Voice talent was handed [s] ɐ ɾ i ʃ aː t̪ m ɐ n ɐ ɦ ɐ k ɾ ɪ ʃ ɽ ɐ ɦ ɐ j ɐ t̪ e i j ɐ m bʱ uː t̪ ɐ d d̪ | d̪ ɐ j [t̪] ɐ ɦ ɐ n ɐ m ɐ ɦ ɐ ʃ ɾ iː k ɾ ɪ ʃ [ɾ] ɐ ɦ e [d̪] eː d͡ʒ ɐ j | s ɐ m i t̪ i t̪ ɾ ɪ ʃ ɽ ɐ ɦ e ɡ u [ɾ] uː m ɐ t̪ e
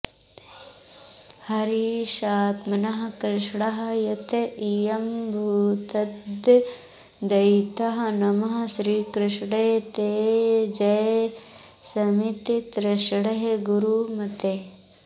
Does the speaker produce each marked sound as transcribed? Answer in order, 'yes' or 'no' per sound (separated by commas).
no, yes, no, no, yes